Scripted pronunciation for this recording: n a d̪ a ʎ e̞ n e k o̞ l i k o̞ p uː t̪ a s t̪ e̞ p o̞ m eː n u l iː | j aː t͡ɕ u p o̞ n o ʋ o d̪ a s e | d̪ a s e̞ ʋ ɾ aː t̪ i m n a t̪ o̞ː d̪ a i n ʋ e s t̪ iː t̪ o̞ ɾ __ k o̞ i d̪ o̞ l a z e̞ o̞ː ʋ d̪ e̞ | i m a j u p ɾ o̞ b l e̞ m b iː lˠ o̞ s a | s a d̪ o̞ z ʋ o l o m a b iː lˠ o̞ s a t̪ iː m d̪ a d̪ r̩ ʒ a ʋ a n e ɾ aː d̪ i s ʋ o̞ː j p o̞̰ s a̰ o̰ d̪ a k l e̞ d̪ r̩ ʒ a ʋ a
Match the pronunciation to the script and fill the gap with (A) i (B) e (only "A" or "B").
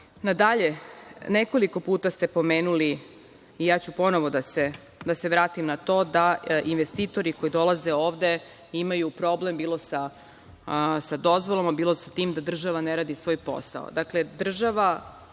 A